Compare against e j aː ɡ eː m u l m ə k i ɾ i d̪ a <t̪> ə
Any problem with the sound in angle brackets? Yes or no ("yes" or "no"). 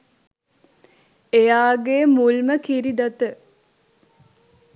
no